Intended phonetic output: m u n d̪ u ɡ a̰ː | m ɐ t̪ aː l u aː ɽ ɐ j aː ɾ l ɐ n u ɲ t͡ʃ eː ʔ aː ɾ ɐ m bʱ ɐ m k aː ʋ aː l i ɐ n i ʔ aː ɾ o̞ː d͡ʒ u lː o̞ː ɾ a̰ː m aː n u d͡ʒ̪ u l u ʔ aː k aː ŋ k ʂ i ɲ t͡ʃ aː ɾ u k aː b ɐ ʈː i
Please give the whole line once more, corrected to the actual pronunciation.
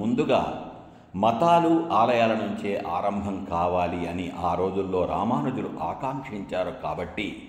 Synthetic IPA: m u n d̪ u ɡ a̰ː | m ɐ t̪ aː l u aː l ɐ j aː l ɐ n u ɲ t͡ʃ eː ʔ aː ɾ ɐ m bʱ ɐ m k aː ʋ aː l i ɐ n i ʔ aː ɾ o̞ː d͡ʒ u lː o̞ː ɾ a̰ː m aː n u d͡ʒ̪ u l u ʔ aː k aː ŋ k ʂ i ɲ t͡ʃ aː ɾ u k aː b ɐ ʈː i